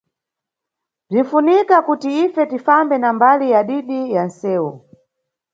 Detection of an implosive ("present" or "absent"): present